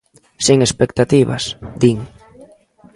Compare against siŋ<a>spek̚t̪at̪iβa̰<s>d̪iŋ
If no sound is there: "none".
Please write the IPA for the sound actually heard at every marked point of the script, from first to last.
e, s

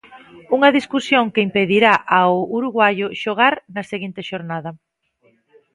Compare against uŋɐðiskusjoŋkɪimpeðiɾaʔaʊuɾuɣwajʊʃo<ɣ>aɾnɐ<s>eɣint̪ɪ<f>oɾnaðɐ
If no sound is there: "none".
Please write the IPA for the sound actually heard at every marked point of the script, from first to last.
ɣ, s, ʃ

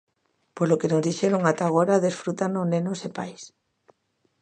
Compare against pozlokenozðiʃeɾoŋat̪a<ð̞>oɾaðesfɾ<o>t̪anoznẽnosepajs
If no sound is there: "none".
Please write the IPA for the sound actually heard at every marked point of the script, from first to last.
ɣ̞, u

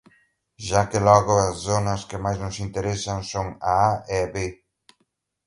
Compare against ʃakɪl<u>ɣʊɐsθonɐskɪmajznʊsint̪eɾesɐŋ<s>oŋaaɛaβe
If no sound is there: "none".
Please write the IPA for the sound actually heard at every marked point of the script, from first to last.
ɔ, s

